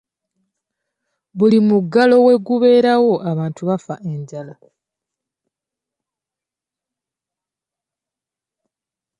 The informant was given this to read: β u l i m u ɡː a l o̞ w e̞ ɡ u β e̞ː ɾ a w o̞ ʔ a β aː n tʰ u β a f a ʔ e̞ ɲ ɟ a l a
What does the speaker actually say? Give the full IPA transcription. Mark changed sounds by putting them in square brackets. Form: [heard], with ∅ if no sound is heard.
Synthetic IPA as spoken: β u l i m u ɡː a l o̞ w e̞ ɡ u β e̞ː ɾ a w o̞ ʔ a β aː n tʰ u β a f a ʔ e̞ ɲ ɟ a l a